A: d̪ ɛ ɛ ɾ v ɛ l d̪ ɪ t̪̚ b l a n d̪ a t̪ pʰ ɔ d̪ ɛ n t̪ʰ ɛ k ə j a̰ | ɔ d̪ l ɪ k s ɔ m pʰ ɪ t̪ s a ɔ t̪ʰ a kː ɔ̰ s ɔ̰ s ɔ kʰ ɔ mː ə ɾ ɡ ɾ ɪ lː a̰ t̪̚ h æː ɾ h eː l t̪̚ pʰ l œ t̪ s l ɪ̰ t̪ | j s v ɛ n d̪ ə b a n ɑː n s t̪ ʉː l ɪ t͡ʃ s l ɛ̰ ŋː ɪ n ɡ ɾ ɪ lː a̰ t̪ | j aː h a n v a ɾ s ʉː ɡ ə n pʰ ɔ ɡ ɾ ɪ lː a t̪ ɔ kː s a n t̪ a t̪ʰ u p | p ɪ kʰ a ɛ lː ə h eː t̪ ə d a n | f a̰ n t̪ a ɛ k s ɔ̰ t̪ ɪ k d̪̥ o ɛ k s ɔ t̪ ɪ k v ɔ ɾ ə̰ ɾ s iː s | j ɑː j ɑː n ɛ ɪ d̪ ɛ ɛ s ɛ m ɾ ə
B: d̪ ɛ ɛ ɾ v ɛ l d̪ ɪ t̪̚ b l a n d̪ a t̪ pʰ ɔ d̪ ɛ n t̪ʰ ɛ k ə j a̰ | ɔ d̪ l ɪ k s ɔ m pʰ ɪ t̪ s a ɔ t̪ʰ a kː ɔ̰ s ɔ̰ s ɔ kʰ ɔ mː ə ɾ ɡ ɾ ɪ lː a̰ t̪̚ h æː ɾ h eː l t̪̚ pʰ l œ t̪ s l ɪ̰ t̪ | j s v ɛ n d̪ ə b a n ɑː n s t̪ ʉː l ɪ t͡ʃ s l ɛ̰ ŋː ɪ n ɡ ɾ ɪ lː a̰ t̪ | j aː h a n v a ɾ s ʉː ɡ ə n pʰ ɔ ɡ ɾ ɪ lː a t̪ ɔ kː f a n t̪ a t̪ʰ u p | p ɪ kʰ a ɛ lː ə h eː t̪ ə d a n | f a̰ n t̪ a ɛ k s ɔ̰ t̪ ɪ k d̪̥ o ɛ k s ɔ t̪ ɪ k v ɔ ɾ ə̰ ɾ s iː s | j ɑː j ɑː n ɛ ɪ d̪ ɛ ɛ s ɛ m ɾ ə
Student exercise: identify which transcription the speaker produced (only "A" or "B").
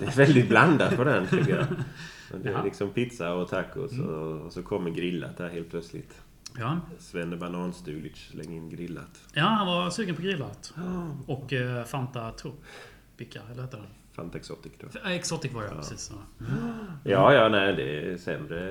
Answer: B